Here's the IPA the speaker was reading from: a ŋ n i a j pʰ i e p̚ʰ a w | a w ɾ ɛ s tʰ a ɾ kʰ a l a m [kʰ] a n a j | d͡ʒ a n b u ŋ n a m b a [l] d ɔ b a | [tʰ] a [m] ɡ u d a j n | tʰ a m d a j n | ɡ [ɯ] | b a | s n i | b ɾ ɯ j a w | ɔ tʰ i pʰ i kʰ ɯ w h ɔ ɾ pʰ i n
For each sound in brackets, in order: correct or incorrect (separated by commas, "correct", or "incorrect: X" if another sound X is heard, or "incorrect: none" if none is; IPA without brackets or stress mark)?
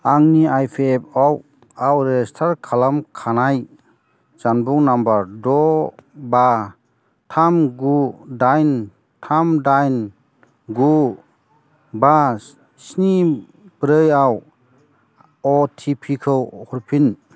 correct, incorrect: ɾ, correct, correct, incorrect: u